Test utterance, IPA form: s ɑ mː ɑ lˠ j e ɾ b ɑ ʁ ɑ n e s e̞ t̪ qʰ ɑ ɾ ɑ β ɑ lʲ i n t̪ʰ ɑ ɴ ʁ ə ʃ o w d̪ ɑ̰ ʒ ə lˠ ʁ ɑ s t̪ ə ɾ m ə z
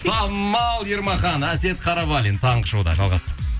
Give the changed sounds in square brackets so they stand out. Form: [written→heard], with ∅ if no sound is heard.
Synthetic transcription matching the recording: s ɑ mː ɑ lˠ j e ɾ [b→m] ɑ [ʁ→χ] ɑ n [e→æ] s e̞ t̪ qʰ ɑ ɾ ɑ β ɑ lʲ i n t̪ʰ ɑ ɴ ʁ ə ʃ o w d̪ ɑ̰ ʒ [ə→ɑ] lˠ ʁ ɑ s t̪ ə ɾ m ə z